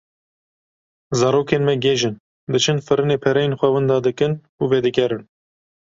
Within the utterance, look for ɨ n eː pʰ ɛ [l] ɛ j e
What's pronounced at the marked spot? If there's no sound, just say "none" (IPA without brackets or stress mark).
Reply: ɾ